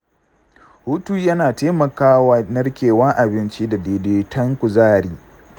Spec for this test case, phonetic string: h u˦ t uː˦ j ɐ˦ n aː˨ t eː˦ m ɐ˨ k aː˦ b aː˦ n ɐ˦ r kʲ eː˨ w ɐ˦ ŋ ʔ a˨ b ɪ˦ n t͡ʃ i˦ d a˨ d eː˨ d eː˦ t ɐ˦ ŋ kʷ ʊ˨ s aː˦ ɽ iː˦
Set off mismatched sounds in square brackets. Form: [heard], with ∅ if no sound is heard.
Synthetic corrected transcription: h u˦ t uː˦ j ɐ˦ n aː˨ t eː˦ m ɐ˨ k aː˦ [w] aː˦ n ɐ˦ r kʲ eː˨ w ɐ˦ ŋ ʔ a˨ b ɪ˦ n t͡ʃ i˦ d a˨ d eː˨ d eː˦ t ɐ˦ ŋ kʷ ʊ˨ [z] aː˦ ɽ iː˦